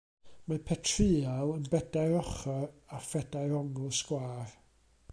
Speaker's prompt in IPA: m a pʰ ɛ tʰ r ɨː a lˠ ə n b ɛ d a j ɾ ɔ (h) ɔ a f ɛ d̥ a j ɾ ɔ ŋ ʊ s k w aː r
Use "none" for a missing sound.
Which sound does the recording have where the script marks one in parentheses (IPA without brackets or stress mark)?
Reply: χ